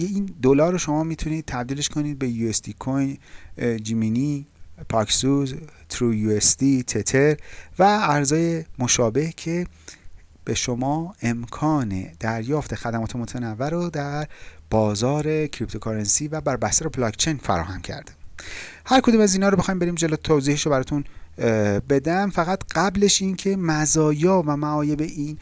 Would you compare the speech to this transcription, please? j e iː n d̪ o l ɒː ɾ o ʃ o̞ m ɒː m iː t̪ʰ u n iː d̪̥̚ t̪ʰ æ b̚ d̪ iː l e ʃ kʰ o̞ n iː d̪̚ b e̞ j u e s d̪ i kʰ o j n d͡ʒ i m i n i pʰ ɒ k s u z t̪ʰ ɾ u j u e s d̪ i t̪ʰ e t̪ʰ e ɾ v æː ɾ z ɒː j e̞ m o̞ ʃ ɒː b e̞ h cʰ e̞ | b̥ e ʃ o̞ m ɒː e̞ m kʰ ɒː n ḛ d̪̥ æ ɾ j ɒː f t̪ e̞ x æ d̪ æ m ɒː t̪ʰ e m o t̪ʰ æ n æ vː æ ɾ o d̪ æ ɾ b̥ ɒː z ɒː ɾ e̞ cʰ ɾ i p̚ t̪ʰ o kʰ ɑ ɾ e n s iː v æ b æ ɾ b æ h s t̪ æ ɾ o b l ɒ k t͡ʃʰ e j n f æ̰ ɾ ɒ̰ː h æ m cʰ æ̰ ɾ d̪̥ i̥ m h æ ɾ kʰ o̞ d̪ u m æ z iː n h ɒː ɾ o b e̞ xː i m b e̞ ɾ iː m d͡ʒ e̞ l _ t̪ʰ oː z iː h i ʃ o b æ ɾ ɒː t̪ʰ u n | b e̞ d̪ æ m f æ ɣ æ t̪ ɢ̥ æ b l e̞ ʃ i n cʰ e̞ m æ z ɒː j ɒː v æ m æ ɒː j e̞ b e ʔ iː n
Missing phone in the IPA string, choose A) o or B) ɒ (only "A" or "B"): A